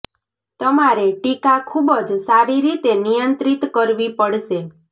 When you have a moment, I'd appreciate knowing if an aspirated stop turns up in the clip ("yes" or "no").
yes